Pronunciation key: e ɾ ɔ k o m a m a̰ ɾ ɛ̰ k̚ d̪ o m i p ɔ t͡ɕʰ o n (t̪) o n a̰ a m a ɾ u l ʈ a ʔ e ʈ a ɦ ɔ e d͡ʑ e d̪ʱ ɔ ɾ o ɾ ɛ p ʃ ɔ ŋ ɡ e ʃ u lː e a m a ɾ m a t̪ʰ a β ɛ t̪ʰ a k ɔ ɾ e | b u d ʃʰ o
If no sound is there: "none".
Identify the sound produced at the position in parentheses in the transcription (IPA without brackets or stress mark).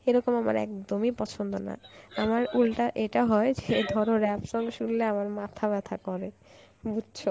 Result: d̪